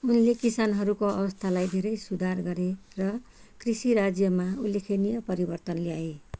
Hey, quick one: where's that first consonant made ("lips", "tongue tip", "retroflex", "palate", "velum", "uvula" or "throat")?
tongue tip